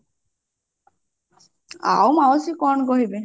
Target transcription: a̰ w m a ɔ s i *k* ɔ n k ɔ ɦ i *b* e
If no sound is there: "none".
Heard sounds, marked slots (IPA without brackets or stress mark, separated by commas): k, b